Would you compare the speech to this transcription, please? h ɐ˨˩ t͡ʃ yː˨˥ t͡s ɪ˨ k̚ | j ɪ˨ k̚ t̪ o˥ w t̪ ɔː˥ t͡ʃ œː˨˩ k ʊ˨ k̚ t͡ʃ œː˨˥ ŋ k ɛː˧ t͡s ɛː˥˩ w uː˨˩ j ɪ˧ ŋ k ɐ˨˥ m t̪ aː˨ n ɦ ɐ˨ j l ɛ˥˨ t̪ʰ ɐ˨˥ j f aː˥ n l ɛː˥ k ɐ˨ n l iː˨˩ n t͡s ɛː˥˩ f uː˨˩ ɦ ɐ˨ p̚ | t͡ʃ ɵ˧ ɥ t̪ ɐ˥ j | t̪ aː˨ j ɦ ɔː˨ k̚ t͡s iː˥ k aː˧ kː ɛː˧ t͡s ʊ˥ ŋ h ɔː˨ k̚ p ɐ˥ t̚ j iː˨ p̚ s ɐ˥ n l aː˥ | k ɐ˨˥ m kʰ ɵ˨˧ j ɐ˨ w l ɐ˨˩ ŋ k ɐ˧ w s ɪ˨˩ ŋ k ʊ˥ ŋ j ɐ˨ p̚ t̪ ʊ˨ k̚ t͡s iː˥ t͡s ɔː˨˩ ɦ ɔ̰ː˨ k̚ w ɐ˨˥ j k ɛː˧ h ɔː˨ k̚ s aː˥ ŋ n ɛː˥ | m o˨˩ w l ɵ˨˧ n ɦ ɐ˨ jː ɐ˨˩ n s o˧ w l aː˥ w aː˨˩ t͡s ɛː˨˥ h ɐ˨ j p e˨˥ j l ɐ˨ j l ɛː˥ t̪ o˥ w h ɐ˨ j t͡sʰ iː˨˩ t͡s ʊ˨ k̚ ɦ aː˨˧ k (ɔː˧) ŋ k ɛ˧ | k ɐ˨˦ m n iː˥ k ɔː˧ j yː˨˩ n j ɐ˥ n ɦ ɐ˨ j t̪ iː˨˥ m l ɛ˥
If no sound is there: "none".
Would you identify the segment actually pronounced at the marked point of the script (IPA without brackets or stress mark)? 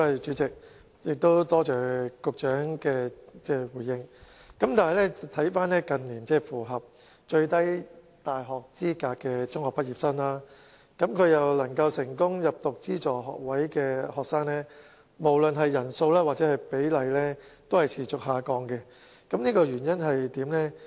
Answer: ɔː˧